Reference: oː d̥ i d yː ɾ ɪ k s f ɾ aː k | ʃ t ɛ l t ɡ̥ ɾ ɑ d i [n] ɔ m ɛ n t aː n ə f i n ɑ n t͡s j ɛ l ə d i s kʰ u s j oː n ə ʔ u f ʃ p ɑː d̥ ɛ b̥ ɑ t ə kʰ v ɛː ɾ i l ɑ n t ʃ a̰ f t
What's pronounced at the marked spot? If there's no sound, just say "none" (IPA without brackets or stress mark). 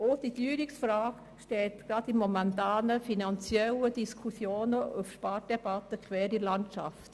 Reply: m